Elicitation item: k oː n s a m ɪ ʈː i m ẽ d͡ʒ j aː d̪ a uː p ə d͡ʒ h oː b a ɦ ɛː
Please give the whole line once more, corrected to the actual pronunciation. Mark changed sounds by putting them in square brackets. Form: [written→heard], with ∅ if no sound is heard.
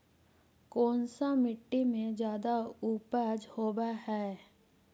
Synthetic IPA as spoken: k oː n s a m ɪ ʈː i m ẽ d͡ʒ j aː d̪ a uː p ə d͡ʒ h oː b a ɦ ɛː

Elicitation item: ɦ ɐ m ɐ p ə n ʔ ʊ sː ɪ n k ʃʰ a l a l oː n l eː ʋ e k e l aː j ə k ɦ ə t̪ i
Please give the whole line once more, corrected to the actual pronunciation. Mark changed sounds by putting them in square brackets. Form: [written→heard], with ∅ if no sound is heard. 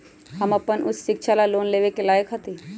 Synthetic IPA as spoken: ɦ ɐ m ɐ p ə n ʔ ʊ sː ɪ [n→∅] k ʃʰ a l a l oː n l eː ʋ e k e l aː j ə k ɦ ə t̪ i

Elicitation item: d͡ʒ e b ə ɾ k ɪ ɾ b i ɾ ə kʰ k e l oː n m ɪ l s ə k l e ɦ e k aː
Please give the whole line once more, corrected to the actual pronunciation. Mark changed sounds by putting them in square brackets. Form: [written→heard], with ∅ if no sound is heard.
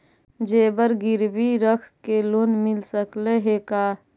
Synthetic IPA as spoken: d͡ʒ e b ə ɾ [k→ɡ] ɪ ɾ b i ɾ ə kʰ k e l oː n m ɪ l s ə k l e ɦ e k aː

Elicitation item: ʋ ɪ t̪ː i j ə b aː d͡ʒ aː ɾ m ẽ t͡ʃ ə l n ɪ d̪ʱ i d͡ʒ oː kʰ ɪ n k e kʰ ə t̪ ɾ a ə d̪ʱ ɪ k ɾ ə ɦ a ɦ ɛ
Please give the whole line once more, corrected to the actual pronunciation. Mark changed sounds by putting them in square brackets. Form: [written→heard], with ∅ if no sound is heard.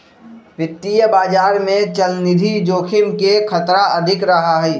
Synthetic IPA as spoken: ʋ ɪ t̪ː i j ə b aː d͡ʒ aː ɾ m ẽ t͡ʃ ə l n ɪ d̪ʱ i d͡ʒ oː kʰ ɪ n k e kʰ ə t̪ ɾ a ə d̪ʱ ɪ k ɾ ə ɦ a ɦ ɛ

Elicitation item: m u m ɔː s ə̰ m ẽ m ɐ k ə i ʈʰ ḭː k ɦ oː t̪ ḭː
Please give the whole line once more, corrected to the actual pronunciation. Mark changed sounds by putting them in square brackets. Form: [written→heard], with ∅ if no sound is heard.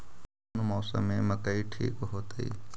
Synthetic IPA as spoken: [m→n] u m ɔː s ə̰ m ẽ m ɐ k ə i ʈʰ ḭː k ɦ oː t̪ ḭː

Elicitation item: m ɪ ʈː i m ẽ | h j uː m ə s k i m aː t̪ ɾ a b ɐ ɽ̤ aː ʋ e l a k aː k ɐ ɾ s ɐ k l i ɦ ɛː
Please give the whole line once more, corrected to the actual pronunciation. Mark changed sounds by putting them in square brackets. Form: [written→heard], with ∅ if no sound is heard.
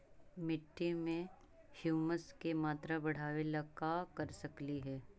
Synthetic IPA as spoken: m ɪ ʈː i m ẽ | h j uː m ə s k [i→e] m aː t̪ ɾ a b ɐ ɽ̤ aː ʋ e l a k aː k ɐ ɾ s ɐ k l i ɦ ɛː

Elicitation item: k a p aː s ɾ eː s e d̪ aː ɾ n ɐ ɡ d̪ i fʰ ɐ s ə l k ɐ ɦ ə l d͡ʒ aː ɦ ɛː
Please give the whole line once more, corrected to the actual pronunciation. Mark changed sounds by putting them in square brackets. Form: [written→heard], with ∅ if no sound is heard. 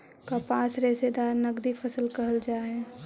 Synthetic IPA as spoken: k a p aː s ɾ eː s e d̪ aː ɾ n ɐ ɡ d̪ i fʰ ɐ s ə l k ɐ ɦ ə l d͡ʒ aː ɦ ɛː

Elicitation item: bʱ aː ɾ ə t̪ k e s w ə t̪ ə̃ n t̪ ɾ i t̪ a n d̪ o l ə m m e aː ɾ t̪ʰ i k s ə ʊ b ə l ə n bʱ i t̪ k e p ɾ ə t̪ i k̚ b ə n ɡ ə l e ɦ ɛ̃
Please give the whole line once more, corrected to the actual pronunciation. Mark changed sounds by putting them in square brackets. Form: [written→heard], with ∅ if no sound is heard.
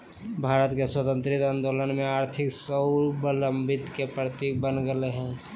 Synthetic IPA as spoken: bʱ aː ɾ ə t̪ k e s w ə t̪ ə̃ n t̪ ɾ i t̪ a n d̪ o l ə [m→n] m e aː ɾ t̪ʰ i k s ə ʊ b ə l ə [n→m] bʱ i t̪ k e p ɾ ə t̪ i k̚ b ə n ɡ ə l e ɦ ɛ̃

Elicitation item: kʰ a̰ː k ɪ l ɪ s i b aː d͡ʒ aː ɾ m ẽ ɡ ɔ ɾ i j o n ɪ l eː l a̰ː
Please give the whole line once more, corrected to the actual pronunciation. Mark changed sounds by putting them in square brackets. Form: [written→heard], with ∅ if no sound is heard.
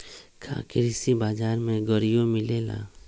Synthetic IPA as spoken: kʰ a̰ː k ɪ [l→ɾ] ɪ s i b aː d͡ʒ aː ɾ m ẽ ɡ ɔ ɾ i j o [n→m] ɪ l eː l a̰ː

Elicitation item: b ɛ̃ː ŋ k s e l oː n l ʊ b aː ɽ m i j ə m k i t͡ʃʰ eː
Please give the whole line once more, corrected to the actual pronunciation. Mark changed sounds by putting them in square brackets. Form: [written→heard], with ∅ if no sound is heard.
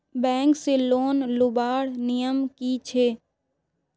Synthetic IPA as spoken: b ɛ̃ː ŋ k s e l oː n l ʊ b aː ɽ [m→n] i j ə m k i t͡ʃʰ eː

